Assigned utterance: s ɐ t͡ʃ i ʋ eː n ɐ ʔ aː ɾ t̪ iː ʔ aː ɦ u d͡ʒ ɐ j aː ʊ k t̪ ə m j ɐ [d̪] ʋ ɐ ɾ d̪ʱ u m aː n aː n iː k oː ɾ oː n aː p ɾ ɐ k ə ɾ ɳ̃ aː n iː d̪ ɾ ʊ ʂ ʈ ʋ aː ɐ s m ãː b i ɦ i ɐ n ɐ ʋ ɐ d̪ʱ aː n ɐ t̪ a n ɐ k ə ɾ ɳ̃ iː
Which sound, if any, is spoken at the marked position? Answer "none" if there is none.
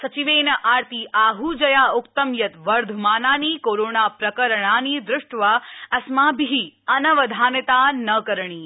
t̪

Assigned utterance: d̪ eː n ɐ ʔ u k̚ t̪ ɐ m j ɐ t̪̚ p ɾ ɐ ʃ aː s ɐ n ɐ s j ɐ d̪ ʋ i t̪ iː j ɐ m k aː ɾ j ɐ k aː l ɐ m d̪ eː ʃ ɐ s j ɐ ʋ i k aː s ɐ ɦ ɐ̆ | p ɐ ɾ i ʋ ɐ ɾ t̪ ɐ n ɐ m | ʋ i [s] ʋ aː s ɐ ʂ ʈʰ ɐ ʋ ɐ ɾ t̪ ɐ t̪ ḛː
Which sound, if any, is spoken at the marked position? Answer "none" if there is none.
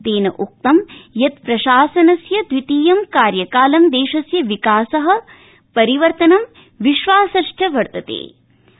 ʃ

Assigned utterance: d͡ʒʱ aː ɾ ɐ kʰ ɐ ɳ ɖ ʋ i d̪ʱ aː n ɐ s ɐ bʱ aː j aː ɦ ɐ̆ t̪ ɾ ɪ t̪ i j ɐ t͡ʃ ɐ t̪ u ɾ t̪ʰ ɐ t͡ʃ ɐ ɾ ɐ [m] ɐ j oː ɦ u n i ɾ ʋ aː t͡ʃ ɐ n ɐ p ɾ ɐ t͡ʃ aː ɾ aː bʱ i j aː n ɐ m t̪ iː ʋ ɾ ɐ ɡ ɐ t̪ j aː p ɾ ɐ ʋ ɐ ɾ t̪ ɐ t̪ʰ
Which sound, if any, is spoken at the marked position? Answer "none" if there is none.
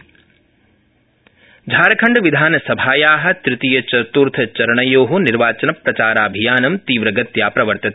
ɳ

